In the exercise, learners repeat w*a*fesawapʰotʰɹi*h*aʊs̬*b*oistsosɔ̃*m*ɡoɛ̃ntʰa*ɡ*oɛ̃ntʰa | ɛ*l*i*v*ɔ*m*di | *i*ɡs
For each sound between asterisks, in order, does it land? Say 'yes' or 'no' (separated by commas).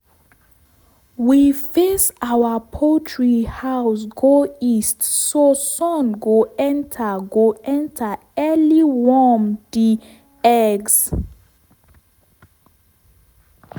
no, yes, no, no, yes, yes, no, yes, no